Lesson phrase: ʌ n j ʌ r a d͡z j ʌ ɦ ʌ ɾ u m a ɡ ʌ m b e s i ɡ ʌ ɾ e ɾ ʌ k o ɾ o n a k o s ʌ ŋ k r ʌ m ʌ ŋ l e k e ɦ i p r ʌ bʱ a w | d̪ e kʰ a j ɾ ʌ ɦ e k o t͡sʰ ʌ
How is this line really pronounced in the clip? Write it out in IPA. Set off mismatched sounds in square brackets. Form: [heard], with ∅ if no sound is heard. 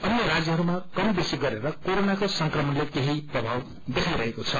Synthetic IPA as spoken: ʌ n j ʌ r a d͡z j ʌ ɦ ʌ ɾ u m a [k] ʌ m b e s i ɡ ʌ ɾ e ɾ ʌ k o ɾ o n a k o s ʌ ŋ k r ʌ m ʌ [n] l e k e ɦ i p r ʌ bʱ a w | d̪ e kʰ a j ɾ ʌ ɦ e k o t͡sʰ ʌ